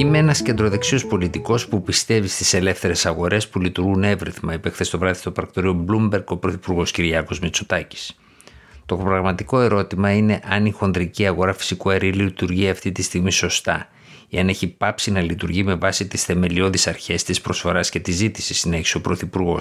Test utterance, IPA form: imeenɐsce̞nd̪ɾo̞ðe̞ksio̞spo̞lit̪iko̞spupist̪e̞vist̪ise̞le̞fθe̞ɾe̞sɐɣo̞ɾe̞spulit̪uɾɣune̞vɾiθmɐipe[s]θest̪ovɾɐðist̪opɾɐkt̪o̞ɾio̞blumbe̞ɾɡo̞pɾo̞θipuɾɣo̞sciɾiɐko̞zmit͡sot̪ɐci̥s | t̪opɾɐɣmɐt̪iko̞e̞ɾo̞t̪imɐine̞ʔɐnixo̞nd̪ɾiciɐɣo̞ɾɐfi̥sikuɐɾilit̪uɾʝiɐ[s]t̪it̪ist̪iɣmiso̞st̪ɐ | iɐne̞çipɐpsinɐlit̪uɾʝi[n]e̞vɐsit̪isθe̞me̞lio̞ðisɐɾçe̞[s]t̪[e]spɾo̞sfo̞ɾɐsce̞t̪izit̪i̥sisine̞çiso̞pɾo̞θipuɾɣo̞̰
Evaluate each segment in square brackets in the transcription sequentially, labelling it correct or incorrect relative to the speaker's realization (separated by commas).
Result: incorrect, incorrect, incorrect, correct, incorrect